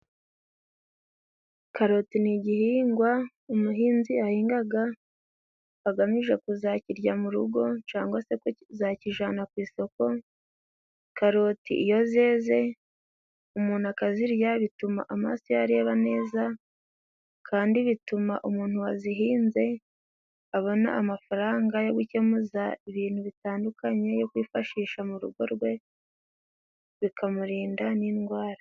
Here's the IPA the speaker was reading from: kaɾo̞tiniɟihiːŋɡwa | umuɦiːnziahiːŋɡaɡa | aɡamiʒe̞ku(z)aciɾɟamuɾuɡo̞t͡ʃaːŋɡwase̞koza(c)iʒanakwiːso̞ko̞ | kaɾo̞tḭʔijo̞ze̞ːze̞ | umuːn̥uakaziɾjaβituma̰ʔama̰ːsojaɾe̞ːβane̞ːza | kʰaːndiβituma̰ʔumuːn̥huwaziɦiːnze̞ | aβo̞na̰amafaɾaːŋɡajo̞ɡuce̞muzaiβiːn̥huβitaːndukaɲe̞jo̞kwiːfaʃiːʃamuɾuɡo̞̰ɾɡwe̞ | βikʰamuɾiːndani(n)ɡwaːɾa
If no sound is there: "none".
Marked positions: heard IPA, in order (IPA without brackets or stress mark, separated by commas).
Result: z, c, n